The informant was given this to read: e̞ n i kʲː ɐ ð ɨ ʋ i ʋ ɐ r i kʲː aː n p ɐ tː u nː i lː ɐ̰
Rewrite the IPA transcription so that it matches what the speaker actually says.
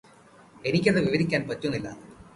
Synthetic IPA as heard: e̞ n i kʲː ɐ ð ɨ ʋ i ʋ ɐ ɾ i kʲː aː n p ɐ tː u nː i lː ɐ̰

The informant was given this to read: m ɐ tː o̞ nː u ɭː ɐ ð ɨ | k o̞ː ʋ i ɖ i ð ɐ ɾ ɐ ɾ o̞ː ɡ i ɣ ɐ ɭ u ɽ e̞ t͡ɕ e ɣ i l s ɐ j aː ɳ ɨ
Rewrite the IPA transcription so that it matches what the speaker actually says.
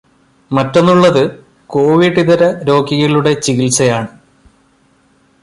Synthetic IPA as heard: m ɐ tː o̞ nː u ɭː ɐ ð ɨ | k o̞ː ʋ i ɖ i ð ɐ ɾ ɐ ɾ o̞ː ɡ i ɣ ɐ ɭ u ɽ e̞ t͡ɕ i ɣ i l s ɐ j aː ɳ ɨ

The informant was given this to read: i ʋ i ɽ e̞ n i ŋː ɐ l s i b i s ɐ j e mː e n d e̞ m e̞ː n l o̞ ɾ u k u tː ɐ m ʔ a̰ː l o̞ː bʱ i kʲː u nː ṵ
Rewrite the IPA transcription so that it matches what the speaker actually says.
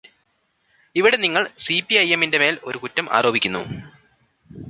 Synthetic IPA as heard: i ʋ i ɽ e̞ n i ŋː ɐ ɭ s i p i ɐ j e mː i n d e̞ m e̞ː l o̞ ɾ u k u tː ɐ m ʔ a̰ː ɾ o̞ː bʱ i kʲː u nː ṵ

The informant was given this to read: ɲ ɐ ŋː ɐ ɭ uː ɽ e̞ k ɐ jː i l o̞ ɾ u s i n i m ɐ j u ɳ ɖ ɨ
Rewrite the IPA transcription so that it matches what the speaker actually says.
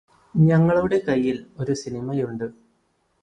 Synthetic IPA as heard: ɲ ɐ ŋː ɐ ɭ u ɽ e̞ k ɐ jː i l o̞ ɾ u s i n i m ɐ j u ɳ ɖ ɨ

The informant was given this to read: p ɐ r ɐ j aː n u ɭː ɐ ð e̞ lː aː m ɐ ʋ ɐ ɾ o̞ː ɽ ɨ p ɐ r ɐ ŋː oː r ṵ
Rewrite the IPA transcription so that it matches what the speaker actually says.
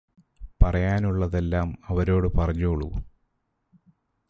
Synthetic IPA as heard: p ɐ r ɐ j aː n u ɭː ɐ ð e̞ lː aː m ɐ ʋ ɐ ɾ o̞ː ɽ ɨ p ɐ r ɐ ɲː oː ɭ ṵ

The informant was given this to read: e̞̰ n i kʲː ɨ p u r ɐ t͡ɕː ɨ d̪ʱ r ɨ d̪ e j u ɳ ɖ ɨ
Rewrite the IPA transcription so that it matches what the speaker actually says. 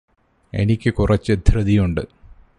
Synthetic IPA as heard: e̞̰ n i kʲː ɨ k u r ɐ t͡ɕː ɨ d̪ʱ r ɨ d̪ i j u ɳ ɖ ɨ

